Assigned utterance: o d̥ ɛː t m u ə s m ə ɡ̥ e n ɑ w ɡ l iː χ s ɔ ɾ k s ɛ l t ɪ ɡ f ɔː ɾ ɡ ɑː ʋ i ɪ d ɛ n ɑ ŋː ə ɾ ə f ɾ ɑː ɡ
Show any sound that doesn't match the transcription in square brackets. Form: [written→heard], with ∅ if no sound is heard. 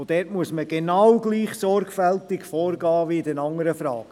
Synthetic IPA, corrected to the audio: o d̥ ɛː t m u ə s m ə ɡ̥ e n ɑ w ɡ l iː χ s ɔ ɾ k [s→f] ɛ l t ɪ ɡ f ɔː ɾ ɡ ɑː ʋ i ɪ d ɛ n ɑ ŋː ə ɾ ə f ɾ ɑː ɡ